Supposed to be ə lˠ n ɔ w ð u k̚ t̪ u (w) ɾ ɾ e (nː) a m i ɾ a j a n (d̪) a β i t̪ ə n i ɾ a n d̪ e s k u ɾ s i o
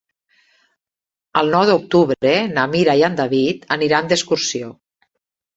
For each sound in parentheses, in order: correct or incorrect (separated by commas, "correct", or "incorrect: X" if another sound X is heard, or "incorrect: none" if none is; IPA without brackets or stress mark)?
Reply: incorrect: β, incorrect: n, correct